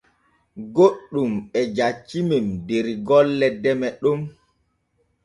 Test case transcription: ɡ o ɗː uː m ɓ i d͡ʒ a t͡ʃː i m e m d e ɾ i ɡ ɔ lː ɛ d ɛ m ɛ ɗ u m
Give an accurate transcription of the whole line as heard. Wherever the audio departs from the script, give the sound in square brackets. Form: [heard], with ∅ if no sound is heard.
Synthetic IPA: ɡ o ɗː [u] m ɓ [ɛ] d͡ʒ a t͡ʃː i m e m d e ɾ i ɡ ɔ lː ɛ d ɛ m ɛ ɗ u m